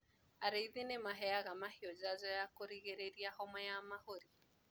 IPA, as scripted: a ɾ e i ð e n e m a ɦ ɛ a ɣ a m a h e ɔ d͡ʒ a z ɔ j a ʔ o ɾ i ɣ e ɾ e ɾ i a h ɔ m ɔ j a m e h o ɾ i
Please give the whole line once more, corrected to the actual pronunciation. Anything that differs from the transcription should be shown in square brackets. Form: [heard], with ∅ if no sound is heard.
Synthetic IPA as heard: a ɾ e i ð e n e m a ɦ ɛ a ɣ a m a h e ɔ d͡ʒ a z ɔ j a [k] o ɾ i ɣ e ɾ e ɾ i a h ɔ m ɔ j a m [a] h o ɾ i